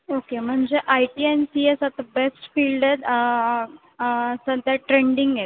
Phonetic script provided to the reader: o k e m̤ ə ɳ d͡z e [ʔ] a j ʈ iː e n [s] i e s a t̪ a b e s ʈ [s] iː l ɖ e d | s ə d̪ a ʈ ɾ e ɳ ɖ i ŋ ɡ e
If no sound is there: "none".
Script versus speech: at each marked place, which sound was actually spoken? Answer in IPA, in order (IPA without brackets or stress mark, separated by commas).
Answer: ʔ, s, f